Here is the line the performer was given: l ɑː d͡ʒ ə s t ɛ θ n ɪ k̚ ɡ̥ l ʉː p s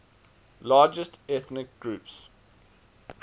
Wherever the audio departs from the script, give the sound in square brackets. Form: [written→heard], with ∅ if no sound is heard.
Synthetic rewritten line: l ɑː d͡ʒ ə s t ɛ θ n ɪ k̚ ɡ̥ [l→ɹ] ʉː p s